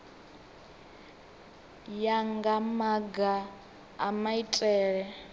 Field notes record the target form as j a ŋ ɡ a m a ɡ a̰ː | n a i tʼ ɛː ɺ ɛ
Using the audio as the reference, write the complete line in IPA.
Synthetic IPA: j a ŋ ɡ a m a ɡ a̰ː | m a i tʼ ɛː ɺ ɛ